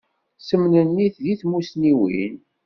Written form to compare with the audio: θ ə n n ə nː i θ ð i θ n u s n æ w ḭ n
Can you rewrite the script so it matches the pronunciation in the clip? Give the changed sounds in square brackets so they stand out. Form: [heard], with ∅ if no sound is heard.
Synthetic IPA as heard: [s] ə [m] n ə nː i θ ð i θ [m] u s n [i] w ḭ n

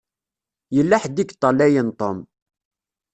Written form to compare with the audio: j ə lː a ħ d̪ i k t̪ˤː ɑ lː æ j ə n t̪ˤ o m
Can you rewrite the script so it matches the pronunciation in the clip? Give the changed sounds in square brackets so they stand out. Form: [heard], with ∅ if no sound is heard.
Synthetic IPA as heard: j ə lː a ħ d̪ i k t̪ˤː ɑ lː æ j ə n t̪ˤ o m

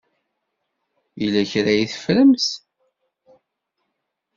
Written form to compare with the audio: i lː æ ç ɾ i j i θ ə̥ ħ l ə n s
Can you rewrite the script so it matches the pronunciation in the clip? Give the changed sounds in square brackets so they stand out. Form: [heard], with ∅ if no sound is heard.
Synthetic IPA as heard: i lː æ ç ɾ [æ] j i θ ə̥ [f] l ə [m] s

